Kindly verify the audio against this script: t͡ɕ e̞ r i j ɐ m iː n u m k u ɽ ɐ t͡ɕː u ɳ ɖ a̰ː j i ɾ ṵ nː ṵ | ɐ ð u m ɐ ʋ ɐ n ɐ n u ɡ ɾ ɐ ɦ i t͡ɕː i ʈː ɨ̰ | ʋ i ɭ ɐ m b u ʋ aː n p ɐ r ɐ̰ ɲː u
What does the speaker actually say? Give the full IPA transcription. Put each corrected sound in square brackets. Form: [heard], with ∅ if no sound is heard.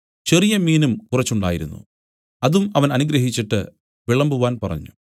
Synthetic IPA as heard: t͡ɕ e̞ r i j ɐ m iː n u m k u [r] ɐ t͡ɕː u ɳ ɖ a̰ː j i ɾ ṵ nː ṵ | ɐ ð u m ɐ ʋ ɐ n ɐ n u ɡ ɾ ɐ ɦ i t͡ɕː i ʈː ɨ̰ | ʋ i ɭ ɐ m b u ʋ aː n p ɐ r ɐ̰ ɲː u